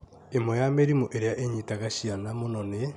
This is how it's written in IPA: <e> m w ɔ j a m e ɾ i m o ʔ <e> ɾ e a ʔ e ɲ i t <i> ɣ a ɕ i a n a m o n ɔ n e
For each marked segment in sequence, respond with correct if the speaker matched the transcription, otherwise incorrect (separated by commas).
correct, correct, incorrect